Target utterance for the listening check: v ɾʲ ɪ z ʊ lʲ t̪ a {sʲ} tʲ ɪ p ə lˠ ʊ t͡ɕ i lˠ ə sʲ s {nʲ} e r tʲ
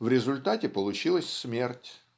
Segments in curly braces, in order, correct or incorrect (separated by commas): incorrect, incorrect